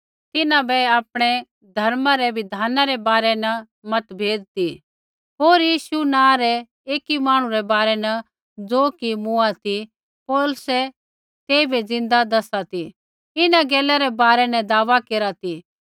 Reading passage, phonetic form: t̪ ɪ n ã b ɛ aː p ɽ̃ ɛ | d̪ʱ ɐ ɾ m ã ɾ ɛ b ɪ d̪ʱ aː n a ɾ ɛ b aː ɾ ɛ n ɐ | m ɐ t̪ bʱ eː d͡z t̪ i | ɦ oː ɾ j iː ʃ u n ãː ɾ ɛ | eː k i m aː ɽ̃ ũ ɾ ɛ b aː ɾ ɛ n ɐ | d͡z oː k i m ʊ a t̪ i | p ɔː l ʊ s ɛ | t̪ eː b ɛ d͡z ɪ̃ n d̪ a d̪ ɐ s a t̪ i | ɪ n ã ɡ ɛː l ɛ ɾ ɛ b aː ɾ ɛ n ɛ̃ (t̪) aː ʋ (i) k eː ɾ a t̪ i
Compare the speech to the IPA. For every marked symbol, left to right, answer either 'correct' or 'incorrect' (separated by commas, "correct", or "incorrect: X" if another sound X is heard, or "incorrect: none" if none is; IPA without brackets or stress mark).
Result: incorrect: d̪, incorrect: a